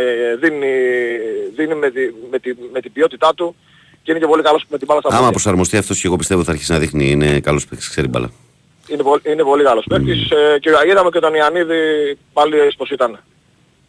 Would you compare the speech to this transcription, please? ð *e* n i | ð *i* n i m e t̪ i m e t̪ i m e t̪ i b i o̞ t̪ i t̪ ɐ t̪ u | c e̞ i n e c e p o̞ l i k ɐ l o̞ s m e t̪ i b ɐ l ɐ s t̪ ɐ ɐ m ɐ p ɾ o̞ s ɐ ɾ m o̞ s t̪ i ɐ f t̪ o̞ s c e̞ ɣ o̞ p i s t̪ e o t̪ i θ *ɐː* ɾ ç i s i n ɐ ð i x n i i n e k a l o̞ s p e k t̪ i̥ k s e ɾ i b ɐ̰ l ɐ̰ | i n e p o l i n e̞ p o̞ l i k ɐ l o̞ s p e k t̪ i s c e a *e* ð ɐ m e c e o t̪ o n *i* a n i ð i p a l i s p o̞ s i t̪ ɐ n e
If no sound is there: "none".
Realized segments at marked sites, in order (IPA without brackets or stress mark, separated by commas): i, i, ɐ, i, i